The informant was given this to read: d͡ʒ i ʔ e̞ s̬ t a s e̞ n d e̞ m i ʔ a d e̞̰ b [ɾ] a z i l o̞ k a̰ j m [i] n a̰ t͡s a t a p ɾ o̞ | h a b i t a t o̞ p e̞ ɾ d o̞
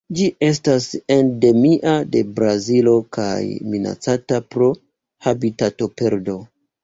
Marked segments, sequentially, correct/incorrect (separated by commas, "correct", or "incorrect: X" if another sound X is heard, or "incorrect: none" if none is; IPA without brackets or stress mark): correct, correct